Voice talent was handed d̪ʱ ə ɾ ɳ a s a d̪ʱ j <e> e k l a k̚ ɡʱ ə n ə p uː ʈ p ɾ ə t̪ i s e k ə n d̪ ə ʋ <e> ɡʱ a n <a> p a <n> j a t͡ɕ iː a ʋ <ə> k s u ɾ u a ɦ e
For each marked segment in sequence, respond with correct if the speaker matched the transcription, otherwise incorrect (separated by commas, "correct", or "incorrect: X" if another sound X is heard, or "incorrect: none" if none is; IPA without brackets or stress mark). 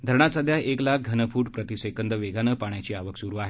incorrect: a, correct, incorrect: ə, incorrect: ɳ, correct